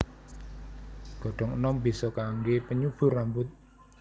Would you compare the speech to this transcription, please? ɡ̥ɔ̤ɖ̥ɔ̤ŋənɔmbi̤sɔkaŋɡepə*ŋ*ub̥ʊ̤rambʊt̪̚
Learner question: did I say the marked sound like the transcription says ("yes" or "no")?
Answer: no